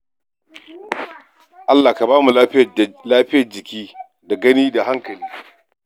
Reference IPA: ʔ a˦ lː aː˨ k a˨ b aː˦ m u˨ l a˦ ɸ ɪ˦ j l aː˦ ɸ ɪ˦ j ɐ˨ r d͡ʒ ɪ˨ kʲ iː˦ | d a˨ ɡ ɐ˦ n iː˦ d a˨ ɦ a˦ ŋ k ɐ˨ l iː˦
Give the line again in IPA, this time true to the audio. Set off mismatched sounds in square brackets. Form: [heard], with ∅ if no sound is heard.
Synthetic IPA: ʔ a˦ lː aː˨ k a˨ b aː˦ m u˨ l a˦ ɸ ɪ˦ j l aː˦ ɸ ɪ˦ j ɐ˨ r d͡ʒ ɪ˨ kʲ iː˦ | d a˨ ɡ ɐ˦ n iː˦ d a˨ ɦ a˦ ŋ k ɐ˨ l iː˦